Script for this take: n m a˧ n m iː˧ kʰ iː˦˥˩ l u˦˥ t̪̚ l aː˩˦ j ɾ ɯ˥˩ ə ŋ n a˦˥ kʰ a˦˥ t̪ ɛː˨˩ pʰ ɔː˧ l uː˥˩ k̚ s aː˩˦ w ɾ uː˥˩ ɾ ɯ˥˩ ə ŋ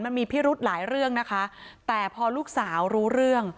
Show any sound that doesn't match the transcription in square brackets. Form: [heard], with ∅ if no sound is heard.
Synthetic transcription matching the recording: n m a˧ n m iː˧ [pʰ] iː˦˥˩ [ɾ] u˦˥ t̪̚ l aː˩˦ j ɾ ɯ˥˩ ə ŋ n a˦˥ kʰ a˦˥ t̪ ɛː˨˩ pʰ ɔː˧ l uː˥˩ k̚ s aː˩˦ w ɾ [uː˦˥] ɾ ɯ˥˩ ə ŋ

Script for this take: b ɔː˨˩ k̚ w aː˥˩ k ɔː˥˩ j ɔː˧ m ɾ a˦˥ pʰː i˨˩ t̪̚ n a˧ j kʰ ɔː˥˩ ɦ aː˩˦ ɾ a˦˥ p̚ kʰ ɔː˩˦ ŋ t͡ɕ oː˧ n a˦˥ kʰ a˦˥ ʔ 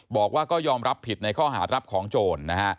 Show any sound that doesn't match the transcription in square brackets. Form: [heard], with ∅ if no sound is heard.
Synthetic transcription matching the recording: b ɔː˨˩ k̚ w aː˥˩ k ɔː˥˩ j ɔː˧ m ɾ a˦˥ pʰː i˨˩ t̪̚ n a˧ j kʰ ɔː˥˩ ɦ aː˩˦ ɾ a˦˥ p̚ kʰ ɔː˩˦ ŋ t͡ɕ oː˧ [nː] a˦˥ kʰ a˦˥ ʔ

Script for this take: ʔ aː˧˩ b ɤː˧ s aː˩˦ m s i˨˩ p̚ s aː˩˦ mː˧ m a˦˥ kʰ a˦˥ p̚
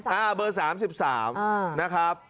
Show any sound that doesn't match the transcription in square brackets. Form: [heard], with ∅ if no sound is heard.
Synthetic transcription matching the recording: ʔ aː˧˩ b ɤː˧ s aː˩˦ m s i˨˩ p̚ s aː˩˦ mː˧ [n] a˦˥ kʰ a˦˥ p̚

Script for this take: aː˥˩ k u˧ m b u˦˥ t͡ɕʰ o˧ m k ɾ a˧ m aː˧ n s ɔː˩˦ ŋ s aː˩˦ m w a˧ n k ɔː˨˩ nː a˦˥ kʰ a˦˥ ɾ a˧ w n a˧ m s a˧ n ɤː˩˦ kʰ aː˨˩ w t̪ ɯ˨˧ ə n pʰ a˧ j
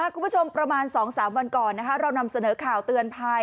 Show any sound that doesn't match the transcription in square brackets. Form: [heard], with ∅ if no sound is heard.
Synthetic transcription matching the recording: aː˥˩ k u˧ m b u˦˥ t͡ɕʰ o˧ m [p] ɾ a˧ m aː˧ n s ɔː˩˦ ŋ s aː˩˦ m w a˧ n k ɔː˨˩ nː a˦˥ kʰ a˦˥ ɾ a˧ w n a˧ m s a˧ n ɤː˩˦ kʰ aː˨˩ w t̪ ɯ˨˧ ə n pʰ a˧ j

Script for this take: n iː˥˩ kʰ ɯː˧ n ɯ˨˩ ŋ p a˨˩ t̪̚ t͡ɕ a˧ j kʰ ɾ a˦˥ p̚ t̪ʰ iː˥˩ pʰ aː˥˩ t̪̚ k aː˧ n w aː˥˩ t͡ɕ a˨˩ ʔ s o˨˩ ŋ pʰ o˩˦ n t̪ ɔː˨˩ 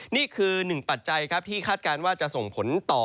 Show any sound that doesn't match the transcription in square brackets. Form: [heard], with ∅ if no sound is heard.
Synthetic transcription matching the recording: n iː˥˩ kʰ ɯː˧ n ɯ˨˩ ŋ p a˨˩ t̪̚ t͡ɕ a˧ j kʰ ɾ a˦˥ p̚ t̪ʰ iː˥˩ [kʰ] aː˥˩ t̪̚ k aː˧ n w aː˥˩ t͡ɕ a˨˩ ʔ s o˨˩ ŋ pʰ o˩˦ n t̪ ɔː˨˩

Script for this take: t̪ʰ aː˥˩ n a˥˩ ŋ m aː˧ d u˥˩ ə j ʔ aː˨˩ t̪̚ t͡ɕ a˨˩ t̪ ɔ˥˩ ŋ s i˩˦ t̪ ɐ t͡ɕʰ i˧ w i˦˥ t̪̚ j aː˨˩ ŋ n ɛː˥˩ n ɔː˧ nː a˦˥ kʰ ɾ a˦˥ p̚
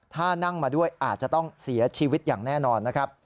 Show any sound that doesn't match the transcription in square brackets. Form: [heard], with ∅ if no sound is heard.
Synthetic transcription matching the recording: t̪ʰ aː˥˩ n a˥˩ ŋ m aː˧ d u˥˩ ə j ʔ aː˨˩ t̪̚ t͡ɕ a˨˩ t̪ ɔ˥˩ ŋ s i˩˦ [∅] ɐ t͡ɕʰ [iː˧] w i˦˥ t̪̚ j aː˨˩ ŋ n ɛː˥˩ n ɔː˧ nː a˦˥ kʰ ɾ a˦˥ p̚

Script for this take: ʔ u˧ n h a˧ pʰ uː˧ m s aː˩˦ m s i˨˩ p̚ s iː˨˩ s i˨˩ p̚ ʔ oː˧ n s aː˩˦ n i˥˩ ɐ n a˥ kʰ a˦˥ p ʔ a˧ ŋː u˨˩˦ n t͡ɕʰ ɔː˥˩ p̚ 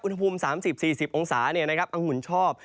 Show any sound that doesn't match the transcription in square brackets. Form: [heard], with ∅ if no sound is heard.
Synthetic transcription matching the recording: ʔ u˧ n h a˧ pʰ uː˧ m s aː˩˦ m s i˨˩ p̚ s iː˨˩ s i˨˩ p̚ ʔ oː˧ [ŋ] s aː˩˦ n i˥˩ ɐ n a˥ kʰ a˦˥ p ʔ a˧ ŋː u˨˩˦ n t͡ɕʰ ɔː˥˩ p̚

